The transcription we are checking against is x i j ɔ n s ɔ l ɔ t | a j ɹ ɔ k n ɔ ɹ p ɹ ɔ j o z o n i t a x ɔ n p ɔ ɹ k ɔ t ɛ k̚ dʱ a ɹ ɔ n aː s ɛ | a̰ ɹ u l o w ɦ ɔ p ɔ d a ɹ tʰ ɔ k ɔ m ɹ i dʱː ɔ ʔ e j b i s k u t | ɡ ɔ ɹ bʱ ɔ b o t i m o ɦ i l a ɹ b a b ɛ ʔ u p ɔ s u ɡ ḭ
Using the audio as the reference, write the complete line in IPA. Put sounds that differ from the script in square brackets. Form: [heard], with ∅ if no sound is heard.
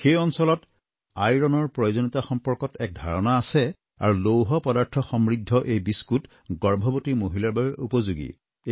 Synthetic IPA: x [e] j ɔ n s ɔ l ɔ t | a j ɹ ɔ [∅] n ɔ ɹ p ɹ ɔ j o z o n i t a x ɔ [m] p ɔ ɹ k ɔ t ɛ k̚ dʱ a ɹ ɔ n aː s ɛ | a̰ ɹ u l o w ɦ ɔ p ɔ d a ɹ tʰ ɔ [x] ɔ m ɹ i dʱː ɔ ʔ e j b i s k u t | ɡ ɔ ɹ bʱ ɔ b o t i m o ɦ i l a ɹ b a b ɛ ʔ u p ɔ [z] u ɡ ḭ